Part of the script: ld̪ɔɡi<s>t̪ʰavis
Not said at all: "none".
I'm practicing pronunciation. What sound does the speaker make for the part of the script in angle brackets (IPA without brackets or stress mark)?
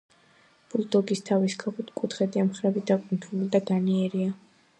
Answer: s